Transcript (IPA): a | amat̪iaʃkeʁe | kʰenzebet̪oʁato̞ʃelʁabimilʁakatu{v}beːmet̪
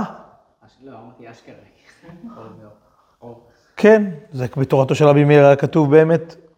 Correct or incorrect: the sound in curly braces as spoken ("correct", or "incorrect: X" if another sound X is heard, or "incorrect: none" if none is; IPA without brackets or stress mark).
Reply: correct